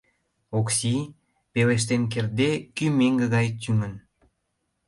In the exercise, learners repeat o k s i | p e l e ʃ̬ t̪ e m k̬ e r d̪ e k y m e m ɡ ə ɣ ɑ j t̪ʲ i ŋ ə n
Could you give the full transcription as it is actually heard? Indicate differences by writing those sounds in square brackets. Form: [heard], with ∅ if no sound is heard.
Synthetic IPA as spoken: o k s i | p e l e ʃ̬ t̪ e [n] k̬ e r d̪ e k y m e [ŋ] ɡ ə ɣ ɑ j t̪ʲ [y] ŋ ə n

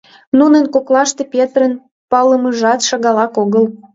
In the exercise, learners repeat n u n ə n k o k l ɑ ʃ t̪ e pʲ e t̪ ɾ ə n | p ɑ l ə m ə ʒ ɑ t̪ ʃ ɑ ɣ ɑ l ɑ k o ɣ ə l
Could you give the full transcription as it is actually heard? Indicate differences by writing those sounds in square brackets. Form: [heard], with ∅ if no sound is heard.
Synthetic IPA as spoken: n u n ə n k o k l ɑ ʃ t̪ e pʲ e t̪ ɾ ə n | p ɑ l ə m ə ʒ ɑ t̪ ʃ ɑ ɣ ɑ l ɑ k o ɣ ə l

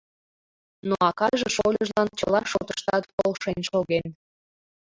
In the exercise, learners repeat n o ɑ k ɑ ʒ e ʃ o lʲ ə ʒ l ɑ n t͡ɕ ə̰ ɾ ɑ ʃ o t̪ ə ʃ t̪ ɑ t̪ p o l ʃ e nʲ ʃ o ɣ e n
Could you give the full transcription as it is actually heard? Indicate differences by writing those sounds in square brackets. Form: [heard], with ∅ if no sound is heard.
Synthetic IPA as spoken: n o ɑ k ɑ ʒ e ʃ o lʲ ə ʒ l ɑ n t͡ɕ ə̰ [l] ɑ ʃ o t̪ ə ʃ t̪ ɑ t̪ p o l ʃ e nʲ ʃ o ɣ e n

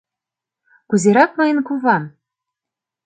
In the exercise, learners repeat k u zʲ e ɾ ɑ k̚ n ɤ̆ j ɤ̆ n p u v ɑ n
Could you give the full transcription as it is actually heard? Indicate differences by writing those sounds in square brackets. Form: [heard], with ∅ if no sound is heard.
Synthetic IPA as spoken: k u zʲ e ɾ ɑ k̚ [m] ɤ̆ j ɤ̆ n [k] u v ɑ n

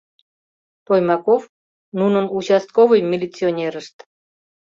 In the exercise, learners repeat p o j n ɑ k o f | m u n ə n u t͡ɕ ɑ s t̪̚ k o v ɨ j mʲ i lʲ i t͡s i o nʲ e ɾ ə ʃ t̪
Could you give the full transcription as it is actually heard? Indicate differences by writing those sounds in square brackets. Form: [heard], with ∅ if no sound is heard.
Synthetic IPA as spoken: p o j [m] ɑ k o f | [n] u n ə n u t͡ɕ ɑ s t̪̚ k o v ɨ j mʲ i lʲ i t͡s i o nʲ e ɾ ə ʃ t̪

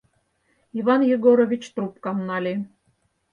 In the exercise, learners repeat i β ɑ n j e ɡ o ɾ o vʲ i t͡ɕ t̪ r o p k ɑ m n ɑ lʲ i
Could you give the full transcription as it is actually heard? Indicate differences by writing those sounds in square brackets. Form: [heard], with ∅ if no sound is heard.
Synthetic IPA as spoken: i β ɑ n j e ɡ o ɾ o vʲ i t͡ɕ t̪ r [u] p k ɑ m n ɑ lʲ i

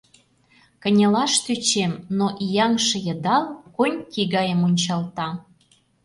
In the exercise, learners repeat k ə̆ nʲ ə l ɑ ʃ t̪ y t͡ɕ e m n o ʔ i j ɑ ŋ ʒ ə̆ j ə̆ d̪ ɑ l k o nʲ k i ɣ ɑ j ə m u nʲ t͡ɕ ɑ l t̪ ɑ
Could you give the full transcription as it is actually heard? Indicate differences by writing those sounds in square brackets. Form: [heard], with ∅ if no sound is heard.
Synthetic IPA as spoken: k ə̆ nʲ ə l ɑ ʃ t̪ y t͡ɕ e m n o ʔ i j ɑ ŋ [ʃ] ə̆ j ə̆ d̪ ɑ l k o nʲ k i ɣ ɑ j ə m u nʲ t͡ɕ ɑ l t̪ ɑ

